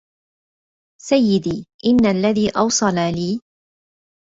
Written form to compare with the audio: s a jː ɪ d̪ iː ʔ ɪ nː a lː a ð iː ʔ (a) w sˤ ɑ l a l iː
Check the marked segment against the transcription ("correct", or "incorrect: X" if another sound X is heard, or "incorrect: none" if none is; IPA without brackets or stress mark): incorrect: ɑ